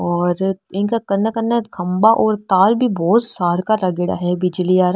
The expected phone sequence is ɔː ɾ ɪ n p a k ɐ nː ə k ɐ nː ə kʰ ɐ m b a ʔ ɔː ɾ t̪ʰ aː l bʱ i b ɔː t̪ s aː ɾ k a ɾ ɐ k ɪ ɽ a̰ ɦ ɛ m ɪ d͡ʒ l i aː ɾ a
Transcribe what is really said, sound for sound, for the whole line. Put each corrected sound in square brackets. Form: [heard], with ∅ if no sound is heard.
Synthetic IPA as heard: ɔː ɾ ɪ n [k] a k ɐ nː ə k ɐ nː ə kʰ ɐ m b a ʔ ɔː ɾ [t̪] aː l bʱ i b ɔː t̪ s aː ɾ k a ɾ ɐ [ɡ] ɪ ɽ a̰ ɦ ɛ [b] ɪ d͡ʒ l i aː ɾ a